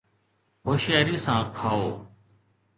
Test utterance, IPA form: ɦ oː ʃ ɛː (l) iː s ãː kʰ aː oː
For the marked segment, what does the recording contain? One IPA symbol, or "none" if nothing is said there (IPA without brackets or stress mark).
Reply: ɾ